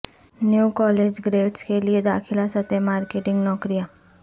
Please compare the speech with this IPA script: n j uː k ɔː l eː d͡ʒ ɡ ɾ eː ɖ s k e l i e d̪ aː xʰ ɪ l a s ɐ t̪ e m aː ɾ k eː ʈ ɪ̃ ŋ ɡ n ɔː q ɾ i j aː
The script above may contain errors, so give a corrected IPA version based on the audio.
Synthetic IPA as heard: n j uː k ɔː l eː d͡ʒ ɡ ɾ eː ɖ s k e l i e d̪ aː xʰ ɪ l a s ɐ t̪ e m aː ɾ k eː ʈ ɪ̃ ŋ ɡ n ɔː k ɾ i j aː